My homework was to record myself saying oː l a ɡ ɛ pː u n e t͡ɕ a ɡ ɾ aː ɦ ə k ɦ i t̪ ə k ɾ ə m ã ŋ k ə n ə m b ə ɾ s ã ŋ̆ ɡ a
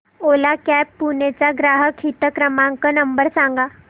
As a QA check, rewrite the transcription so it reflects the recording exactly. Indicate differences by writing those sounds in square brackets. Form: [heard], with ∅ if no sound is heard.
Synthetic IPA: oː l a [k] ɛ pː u n e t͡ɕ a ɡ ɾ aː ɦ ə k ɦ i t̪ ə k ɾ ə m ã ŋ k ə n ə m b ə ɾ s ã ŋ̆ ɡ a